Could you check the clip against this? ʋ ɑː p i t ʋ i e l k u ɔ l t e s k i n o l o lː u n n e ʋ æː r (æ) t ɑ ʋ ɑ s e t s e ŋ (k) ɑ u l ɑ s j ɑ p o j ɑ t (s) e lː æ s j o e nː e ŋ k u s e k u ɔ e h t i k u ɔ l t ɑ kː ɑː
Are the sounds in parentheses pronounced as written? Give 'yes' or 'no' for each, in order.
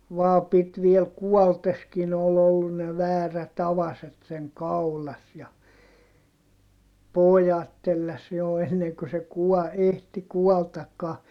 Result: yes, yes, no

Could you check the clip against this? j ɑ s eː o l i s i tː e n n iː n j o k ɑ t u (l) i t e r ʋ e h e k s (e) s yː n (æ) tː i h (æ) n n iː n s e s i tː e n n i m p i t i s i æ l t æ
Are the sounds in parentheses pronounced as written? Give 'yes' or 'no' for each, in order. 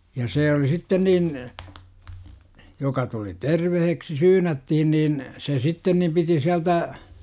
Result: yes, no, yes, no

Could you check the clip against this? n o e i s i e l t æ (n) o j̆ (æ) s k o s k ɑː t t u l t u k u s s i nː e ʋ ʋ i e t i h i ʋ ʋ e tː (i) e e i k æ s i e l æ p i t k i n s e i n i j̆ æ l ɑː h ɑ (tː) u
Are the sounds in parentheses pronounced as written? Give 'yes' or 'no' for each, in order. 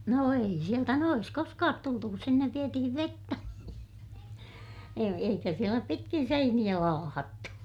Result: yes, no, no, yes

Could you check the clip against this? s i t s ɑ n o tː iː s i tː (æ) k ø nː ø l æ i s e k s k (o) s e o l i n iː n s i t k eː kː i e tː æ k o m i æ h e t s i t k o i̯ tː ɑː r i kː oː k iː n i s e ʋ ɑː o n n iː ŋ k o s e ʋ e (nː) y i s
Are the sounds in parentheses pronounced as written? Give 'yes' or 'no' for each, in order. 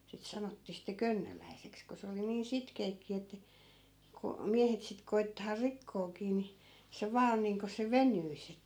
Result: no, yes, no

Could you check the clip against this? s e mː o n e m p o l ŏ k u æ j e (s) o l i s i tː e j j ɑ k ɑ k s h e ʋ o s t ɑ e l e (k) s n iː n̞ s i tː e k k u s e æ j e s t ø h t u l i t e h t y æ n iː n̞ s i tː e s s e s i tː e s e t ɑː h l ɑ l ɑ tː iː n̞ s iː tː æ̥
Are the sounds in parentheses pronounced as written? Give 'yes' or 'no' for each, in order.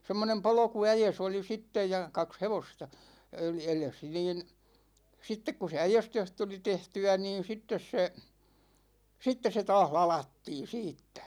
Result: yes, no

